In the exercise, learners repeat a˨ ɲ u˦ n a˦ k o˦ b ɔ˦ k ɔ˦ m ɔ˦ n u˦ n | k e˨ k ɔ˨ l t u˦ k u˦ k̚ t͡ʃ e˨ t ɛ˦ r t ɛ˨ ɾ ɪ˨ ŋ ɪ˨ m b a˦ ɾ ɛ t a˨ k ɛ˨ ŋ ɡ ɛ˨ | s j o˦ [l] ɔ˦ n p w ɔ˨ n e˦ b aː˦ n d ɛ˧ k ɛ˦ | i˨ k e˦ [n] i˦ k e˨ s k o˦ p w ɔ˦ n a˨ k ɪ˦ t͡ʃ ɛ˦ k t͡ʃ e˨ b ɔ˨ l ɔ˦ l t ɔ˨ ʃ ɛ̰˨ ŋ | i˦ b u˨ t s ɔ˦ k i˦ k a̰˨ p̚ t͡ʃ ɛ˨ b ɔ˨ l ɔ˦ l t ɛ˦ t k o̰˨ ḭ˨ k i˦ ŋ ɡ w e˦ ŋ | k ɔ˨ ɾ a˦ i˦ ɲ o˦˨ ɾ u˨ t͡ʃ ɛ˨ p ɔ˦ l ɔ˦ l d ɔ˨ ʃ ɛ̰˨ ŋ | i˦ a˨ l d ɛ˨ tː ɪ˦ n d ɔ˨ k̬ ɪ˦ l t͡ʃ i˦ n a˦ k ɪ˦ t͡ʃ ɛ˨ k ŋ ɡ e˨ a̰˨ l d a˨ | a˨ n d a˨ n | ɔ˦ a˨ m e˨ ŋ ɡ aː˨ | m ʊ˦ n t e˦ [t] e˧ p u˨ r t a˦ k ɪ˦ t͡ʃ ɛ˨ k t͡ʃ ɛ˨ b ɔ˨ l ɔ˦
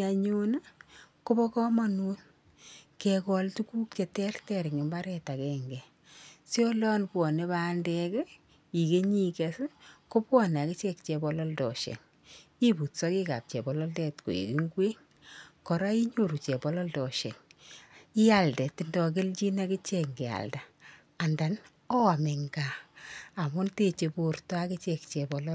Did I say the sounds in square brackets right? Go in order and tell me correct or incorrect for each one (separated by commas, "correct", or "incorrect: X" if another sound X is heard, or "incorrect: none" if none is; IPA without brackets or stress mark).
correct, incorrect: ɲ, incorrect: t͡ʃ